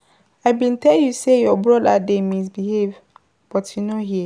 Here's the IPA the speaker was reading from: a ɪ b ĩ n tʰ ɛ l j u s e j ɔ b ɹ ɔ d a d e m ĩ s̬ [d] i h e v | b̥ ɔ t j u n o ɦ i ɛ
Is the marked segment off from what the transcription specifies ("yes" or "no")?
yes